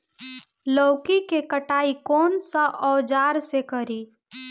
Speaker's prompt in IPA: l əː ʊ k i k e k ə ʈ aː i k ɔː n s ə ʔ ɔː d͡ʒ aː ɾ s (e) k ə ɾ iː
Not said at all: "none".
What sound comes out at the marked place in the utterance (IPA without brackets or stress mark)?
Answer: e